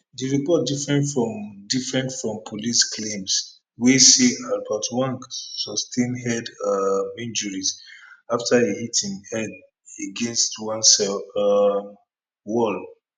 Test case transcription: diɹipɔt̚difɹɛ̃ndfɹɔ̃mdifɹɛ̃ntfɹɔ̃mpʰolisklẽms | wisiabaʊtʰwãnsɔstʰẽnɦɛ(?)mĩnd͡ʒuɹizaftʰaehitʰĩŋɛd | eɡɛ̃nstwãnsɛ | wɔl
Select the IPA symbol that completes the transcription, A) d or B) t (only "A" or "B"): A